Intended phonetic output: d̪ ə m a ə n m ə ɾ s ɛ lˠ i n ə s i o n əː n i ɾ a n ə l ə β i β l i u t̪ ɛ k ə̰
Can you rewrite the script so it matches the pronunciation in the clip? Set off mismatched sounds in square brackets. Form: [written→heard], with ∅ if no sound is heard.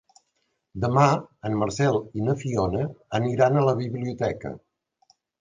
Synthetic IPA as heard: d̪ ə m a ə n m ə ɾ s ɛ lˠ i n ə [s→f] i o n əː n i ɾ a n ə l ə β i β l i u t̪ ɛ k ə̰